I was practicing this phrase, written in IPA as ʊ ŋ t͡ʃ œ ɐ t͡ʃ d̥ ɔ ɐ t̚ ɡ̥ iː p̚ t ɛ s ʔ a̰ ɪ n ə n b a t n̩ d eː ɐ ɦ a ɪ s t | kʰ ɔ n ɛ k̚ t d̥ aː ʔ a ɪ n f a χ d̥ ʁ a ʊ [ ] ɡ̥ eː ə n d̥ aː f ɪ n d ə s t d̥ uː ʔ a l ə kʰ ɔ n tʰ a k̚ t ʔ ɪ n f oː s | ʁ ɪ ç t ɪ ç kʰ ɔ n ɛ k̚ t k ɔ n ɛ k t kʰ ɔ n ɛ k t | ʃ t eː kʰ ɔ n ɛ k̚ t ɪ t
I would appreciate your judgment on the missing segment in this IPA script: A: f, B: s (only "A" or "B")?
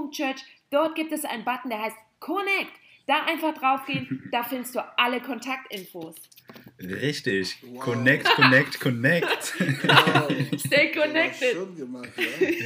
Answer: A